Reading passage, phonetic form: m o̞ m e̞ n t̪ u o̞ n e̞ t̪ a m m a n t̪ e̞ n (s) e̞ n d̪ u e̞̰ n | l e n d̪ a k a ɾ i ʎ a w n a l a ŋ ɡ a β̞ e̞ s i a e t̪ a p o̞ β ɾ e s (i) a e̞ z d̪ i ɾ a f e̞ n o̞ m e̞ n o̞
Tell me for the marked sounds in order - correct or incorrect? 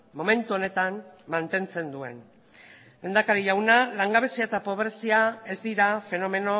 incorrect, correct

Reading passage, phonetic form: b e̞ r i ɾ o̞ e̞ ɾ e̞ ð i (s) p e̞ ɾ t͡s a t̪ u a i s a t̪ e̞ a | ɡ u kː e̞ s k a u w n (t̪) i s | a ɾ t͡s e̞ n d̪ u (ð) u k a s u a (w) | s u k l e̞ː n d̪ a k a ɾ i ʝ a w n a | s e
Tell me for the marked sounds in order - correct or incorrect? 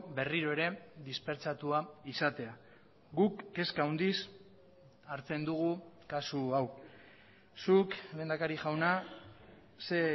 correct, incorrect, incorrect, correct

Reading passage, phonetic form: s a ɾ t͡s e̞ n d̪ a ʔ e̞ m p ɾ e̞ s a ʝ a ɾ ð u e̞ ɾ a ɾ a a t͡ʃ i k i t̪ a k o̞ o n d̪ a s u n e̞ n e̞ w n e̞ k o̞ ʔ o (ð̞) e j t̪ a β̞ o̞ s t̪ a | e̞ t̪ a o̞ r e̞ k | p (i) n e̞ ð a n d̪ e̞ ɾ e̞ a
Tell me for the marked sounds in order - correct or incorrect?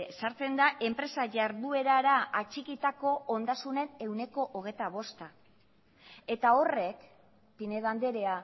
incorrect, correct

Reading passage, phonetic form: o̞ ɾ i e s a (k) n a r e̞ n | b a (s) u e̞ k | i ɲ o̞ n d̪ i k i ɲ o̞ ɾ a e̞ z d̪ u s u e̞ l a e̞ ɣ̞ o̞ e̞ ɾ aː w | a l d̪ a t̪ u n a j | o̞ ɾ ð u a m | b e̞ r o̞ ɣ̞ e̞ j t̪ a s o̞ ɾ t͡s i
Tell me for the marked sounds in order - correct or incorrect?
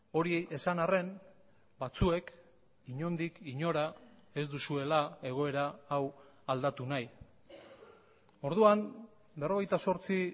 incorrect, incorrect

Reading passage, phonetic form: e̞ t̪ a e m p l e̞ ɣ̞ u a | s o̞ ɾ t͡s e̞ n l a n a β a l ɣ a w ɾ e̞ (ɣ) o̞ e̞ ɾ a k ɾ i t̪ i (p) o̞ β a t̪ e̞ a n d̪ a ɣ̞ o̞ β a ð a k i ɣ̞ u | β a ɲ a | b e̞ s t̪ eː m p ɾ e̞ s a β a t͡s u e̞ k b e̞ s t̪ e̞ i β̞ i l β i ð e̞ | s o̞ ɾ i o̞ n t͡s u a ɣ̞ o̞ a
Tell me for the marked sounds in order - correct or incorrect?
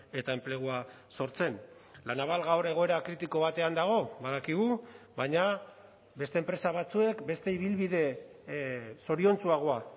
correct, incorrect

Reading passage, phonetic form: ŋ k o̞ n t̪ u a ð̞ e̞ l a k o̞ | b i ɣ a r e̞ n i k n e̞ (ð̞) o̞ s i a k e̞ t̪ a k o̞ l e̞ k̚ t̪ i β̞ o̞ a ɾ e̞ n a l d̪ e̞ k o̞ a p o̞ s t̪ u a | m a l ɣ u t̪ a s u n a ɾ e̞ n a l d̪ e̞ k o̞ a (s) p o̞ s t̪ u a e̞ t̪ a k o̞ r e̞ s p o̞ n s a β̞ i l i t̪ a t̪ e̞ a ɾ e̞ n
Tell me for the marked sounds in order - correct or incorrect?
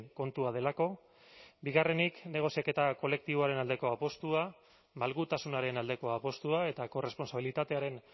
incorrect, incorrect

